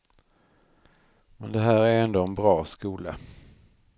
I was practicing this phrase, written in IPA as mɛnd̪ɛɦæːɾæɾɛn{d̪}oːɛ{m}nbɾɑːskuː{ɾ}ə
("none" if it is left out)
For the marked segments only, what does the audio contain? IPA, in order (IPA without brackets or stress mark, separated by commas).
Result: d̪, none, l